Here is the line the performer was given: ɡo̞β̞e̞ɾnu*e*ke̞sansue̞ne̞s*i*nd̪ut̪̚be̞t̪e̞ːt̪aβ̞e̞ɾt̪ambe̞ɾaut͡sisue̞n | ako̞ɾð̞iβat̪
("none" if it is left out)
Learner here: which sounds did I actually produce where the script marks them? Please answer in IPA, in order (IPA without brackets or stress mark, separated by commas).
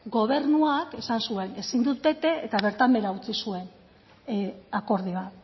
a, i